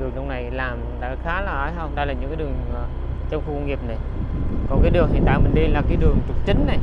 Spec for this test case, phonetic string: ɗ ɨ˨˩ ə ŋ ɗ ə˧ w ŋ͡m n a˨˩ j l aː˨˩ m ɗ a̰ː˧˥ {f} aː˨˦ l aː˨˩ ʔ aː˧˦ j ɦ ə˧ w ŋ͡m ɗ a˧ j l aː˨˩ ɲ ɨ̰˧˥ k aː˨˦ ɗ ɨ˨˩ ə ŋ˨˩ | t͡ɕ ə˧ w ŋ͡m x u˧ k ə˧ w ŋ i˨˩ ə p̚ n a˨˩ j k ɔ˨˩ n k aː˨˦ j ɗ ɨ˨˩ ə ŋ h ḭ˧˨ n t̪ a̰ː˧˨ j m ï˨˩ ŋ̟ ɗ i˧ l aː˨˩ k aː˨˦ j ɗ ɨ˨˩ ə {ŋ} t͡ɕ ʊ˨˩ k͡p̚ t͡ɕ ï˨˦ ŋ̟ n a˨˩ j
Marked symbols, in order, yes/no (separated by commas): no, yes